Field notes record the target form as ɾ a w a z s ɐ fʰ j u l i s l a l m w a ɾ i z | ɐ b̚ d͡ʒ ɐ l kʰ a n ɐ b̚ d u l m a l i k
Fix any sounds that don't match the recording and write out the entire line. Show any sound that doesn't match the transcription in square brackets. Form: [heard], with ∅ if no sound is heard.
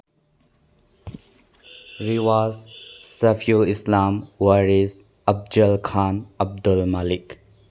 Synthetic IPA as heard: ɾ [i] w a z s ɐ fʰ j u l i s l a [∅] m w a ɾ i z | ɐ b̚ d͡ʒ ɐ l kʰ a n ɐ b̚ d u l m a l i k